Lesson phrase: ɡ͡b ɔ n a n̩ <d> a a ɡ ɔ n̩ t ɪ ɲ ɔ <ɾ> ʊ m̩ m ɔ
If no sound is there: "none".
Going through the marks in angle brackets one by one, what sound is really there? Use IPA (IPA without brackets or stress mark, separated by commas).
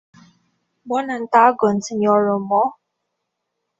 t, ɾ